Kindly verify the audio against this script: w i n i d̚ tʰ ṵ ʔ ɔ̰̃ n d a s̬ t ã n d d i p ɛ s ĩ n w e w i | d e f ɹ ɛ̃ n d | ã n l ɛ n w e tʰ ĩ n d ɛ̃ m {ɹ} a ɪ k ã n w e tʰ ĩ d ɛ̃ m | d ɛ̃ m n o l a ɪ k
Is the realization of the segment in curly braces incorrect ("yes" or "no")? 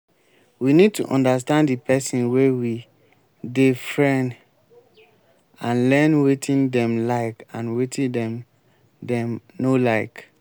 yes